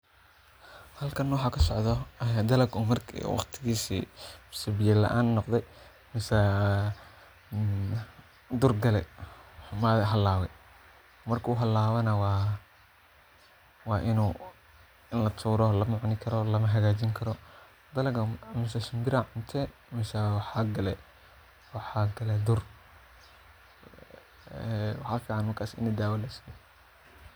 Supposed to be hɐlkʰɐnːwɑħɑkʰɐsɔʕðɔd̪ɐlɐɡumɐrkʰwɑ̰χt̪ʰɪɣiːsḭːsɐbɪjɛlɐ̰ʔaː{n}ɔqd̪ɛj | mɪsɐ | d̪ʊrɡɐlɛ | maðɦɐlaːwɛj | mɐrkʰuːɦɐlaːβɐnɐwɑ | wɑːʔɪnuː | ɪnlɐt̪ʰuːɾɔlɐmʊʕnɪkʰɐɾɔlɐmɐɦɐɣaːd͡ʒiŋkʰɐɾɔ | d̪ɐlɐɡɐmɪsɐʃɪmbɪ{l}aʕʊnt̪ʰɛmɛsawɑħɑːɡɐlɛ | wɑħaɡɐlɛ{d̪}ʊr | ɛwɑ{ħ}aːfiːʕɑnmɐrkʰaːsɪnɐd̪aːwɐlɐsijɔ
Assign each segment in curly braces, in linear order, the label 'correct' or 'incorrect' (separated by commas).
incorrect, incorrect, correct, correct